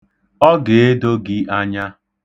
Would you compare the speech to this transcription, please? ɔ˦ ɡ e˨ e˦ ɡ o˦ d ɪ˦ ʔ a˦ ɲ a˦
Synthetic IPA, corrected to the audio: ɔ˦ ɡ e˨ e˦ d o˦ ɡ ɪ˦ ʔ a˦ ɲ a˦